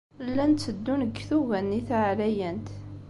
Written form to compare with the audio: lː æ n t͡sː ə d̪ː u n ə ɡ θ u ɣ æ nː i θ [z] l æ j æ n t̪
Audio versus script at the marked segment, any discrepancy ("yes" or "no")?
yes